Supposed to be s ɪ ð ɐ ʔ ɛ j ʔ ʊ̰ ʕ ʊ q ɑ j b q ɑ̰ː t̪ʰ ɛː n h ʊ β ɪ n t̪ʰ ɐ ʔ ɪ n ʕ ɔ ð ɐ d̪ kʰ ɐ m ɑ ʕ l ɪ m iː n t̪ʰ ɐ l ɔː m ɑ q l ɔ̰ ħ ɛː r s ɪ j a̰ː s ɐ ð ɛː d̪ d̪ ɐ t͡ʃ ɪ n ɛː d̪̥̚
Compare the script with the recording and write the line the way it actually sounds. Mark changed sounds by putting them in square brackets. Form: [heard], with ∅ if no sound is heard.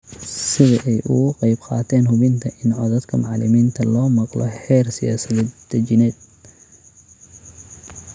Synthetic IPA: s ɪ ð ɐ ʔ ɛ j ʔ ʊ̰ [ɣ] ʊ q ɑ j b q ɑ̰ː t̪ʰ ɛː n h ʊ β ɪ n t̪ʰ ɐ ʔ ɪ n ʕ ɔ ð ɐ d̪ kʰ ɐ m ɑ ʕ l ɪ m iː n t̪ʰ ɐ l ɔː m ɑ q l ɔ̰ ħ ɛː r s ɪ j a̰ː s ɐ ð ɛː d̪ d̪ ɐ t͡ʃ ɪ n ɛː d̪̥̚